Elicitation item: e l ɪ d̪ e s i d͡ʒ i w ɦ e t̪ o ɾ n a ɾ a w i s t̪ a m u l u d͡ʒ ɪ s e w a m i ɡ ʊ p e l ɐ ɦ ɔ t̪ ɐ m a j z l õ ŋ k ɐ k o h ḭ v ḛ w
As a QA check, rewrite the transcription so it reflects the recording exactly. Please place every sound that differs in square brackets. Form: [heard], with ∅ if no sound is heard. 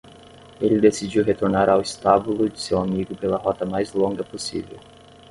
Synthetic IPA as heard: e l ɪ d̪ e s i d͡ʒ i w ɦ e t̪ o ɾ n a ɾ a w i s t̪ a [b] u l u d͡ʒ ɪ s e w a m i ɡ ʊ p e l ɐ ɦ ɔ t̪ ɐ m a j z l õ ŋ [ɡ] ɐ [p] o [s] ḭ v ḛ w